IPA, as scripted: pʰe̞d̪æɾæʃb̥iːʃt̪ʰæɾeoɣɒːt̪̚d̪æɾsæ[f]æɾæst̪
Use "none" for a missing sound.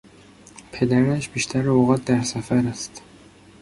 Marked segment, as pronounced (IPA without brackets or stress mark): f